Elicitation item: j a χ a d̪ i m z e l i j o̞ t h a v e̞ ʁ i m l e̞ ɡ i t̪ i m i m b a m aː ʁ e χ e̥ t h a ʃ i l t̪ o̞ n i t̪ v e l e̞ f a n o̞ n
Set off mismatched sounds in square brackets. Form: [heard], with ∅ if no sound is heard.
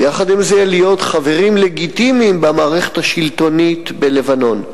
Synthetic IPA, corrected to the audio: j a χ a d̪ i m z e l i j o̞ t [χ] a v e̞ ʁ i m l e̞ ɡ i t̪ i m i m b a m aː ʁ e χ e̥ t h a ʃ i l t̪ o̞ n i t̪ [b] e l e̞ [v] a n o̞ n